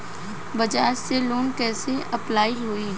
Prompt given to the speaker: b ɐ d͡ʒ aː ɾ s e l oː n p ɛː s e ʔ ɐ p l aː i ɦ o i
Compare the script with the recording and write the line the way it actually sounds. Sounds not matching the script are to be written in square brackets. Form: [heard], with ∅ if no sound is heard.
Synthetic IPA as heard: b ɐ d͡ʒ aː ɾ s e l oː n [k] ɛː s e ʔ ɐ p l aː i ɦ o i